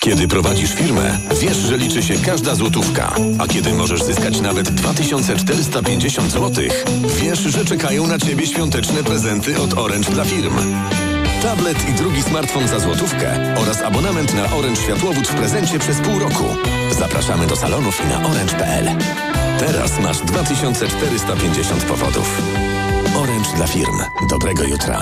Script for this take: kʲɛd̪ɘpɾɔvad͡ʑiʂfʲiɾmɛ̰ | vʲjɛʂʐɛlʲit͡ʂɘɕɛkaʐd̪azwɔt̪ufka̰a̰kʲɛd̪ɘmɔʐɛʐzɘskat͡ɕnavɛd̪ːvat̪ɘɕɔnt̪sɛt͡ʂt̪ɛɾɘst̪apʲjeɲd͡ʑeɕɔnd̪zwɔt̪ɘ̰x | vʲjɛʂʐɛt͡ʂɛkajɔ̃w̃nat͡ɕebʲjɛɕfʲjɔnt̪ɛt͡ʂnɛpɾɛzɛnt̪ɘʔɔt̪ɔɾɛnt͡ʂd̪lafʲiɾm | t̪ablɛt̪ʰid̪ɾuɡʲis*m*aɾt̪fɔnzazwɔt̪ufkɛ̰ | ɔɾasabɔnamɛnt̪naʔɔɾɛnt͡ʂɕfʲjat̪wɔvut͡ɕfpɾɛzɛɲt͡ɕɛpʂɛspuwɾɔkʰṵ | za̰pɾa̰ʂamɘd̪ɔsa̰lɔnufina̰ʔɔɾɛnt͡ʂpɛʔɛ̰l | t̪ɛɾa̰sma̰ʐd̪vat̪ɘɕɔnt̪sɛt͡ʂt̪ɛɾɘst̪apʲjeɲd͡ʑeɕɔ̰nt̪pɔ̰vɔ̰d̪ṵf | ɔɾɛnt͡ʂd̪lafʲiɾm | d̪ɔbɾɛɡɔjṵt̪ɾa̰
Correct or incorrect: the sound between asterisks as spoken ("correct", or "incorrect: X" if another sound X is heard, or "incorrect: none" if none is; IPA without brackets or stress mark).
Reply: correct